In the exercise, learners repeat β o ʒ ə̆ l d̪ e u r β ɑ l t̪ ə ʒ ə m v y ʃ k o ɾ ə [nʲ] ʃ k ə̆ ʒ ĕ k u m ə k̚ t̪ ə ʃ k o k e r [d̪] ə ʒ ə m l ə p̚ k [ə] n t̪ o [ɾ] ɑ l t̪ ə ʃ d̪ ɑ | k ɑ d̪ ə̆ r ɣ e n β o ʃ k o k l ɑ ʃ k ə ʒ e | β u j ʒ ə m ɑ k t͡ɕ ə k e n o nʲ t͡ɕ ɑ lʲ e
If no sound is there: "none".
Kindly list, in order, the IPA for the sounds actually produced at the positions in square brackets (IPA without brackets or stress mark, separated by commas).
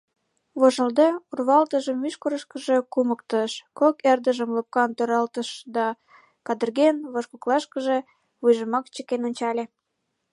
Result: none, d̪, ɑ, ɾ